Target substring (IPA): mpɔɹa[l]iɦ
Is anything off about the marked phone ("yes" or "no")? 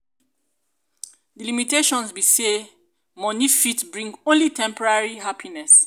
yes